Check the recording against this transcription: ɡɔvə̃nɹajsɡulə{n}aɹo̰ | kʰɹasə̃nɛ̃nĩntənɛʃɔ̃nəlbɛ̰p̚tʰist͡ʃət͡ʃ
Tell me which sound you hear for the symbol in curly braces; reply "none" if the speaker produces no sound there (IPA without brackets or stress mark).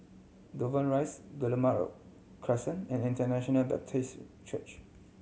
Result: m